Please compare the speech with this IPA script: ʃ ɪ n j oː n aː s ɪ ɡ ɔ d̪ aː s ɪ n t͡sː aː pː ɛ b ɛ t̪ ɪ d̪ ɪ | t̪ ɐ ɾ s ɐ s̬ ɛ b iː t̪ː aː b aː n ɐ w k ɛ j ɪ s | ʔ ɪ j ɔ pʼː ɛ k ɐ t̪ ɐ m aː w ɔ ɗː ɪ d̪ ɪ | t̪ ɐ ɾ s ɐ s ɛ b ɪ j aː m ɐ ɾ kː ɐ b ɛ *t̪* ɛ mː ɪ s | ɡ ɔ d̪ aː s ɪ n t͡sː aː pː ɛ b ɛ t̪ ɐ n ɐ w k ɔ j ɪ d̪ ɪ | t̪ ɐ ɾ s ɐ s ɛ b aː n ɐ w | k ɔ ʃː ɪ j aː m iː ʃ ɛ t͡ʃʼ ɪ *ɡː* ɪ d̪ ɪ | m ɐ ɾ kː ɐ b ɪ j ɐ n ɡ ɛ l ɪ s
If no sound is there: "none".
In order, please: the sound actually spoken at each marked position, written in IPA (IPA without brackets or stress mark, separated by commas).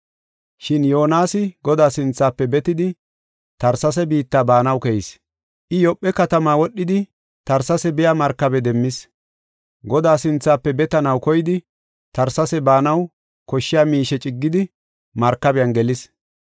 d̪, ɡː